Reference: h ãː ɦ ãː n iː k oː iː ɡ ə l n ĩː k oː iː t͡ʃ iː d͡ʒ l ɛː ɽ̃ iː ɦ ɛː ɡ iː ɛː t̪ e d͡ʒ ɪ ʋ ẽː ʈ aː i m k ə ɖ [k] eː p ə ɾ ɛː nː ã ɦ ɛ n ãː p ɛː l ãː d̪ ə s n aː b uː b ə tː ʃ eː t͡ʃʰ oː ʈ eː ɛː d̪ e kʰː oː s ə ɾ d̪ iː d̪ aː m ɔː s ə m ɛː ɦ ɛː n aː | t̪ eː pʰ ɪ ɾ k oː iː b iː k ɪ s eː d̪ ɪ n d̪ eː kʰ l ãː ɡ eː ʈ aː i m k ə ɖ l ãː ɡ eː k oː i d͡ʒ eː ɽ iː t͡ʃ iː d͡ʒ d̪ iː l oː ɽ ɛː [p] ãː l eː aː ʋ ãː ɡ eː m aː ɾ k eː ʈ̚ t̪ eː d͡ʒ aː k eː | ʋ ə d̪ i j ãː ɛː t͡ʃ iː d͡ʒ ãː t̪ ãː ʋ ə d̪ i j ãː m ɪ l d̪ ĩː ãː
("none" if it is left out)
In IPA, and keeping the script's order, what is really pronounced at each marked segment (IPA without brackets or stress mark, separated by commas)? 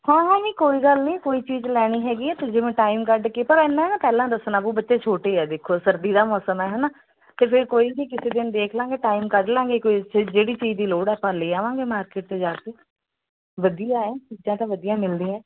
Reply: k, p